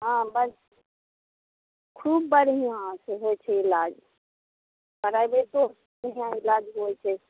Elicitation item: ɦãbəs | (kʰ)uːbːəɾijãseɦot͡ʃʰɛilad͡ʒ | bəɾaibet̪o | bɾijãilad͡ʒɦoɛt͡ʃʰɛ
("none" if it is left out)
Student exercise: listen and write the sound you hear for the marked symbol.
kʰ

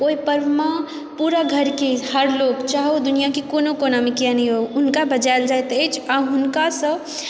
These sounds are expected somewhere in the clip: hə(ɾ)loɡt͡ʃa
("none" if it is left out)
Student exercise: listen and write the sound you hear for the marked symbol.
ɾ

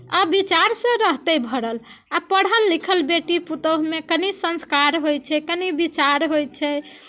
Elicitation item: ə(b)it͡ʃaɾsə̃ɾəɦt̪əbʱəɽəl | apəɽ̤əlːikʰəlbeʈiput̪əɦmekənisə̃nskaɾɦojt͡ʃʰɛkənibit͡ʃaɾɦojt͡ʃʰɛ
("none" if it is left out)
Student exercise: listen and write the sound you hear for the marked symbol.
b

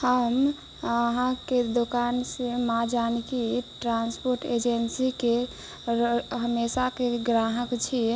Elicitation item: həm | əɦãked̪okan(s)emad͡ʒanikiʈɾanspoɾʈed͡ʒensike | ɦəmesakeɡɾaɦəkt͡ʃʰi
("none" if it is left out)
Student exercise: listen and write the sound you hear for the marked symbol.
s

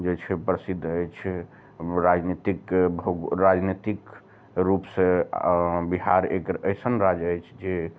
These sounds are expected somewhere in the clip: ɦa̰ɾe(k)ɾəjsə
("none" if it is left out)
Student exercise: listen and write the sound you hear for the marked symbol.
k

